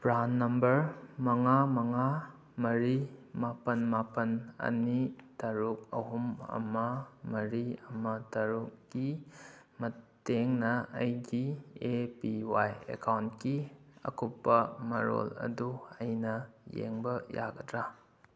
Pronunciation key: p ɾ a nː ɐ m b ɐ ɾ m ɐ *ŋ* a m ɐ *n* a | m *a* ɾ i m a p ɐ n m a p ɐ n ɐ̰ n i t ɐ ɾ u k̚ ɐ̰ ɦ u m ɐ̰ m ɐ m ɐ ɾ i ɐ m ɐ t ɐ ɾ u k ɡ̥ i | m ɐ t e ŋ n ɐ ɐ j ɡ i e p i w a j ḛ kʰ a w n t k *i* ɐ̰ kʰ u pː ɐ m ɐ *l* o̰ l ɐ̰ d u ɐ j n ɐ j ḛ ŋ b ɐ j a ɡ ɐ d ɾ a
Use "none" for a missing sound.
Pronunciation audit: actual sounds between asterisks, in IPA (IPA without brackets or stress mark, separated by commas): ŋ, ŋ, ɐ, i, ɾ